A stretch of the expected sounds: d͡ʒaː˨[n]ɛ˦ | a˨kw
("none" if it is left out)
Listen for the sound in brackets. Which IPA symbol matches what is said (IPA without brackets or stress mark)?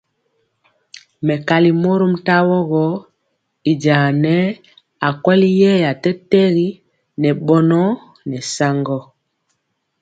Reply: n